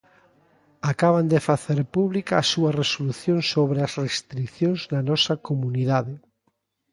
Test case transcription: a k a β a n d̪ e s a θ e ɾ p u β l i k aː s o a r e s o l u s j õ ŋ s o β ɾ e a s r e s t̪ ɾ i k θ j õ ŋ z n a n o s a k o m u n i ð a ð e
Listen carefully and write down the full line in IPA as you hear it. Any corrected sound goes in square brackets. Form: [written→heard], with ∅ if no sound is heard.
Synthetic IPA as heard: a k a β a n d̪ e [s→f] a θ e ɾ p u β l i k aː s [o→u] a r e s o l u [s→θ] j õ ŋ s o β ɾ e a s r e s t̪ ɾ i k θ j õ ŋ z n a n [o→ɔ] s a k o m u n i ð a ð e